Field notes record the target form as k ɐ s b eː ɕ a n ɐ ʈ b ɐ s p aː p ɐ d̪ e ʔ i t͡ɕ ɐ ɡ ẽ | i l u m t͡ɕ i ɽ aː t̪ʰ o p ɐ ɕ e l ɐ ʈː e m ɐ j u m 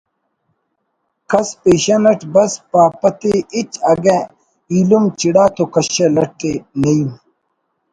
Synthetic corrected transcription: k ɐ s p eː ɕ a n ɐ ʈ b ɐ s p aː p ɐ t̪ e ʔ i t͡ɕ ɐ ɡ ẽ | i l u m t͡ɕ i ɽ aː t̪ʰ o k ɐ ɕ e l ɐ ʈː e n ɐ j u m